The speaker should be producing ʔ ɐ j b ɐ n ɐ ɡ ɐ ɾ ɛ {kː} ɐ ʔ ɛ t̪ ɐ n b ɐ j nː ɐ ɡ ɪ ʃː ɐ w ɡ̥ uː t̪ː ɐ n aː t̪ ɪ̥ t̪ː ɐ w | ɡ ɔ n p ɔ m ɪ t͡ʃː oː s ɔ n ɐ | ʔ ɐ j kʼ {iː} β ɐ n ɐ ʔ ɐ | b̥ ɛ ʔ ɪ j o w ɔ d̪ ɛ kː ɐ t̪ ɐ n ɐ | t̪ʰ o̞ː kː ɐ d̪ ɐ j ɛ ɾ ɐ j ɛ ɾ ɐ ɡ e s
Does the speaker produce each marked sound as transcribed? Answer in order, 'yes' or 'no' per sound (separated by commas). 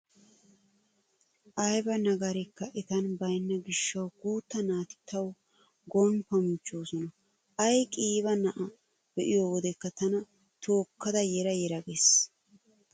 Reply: yes, yes